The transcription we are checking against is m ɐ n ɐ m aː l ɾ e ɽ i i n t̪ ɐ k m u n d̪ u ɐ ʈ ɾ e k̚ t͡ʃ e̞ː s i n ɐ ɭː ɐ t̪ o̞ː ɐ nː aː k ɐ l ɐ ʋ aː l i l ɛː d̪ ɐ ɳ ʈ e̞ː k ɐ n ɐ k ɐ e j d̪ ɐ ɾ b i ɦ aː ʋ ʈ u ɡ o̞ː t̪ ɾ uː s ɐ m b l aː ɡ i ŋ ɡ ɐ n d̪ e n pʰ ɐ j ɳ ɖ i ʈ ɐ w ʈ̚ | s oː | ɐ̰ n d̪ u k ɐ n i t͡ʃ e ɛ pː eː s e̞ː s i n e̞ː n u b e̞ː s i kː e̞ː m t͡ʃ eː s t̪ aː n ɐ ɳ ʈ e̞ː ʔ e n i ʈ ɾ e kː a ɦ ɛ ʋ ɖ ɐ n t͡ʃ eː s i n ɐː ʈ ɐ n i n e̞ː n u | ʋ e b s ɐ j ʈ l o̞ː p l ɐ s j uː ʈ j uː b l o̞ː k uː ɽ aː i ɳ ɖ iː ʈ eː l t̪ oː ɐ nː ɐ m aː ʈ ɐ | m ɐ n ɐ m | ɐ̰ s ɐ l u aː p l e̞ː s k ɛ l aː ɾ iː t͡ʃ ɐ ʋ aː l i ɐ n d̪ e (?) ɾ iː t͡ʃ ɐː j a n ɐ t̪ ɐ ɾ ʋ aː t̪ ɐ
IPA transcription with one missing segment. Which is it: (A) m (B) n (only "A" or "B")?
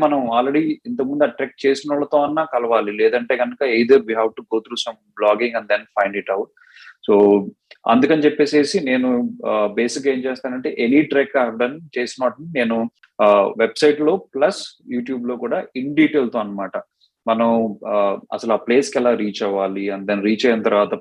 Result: B